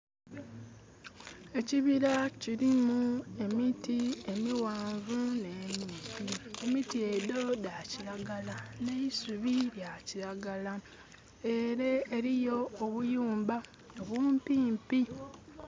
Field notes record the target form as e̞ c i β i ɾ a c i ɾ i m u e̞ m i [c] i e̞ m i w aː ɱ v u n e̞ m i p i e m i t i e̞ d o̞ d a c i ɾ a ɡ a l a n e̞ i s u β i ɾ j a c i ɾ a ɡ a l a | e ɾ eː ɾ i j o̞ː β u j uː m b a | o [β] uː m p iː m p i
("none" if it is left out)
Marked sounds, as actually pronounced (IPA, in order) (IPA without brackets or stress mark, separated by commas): t, β